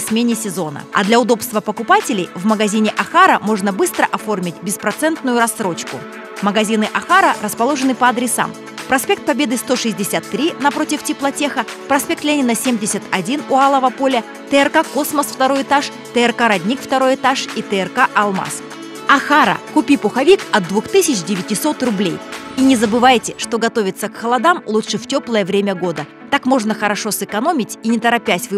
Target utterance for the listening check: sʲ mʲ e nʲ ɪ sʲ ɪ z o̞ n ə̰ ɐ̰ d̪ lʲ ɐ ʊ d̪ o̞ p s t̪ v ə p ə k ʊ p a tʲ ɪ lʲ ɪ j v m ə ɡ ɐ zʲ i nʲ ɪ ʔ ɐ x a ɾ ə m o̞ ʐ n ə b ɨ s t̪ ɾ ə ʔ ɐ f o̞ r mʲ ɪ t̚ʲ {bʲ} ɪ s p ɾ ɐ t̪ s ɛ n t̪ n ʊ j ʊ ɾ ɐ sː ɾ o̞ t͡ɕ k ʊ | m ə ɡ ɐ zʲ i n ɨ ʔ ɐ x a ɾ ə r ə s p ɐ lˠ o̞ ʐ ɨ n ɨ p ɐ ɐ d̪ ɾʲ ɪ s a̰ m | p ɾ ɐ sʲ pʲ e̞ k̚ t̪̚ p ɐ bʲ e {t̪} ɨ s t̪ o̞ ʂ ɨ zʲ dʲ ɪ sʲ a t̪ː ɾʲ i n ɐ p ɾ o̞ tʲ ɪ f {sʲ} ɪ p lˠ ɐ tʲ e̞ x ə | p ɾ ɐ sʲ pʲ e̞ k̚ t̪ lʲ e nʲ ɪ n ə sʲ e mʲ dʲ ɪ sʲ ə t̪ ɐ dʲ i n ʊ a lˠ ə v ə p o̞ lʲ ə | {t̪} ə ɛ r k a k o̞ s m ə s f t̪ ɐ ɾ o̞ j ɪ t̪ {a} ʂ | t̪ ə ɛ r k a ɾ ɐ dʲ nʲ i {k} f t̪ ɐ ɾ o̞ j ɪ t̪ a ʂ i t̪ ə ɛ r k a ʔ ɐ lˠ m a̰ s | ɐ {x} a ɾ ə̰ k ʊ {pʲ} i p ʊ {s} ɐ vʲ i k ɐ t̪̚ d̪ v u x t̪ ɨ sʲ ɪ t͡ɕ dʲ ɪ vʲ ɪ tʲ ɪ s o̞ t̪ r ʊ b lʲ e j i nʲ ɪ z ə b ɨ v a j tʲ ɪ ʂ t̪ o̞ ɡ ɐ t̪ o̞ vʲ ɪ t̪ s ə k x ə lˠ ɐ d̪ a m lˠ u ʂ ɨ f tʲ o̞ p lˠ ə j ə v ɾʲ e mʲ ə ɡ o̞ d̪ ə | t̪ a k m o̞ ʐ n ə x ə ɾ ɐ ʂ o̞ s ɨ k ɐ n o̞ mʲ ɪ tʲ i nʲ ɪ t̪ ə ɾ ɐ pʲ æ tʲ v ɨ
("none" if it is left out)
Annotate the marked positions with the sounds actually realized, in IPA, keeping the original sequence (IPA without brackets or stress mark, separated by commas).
bʲ, d̪, tʲ, t̪, a, k, x, pʲ, x